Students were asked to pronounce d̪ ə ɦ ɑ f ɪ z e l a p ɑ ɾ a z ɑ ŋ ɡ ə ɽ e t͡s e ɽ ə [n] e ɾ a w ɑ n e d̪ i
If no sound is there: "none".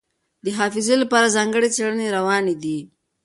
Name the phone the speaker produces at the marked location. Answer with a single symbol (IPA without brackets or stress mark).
n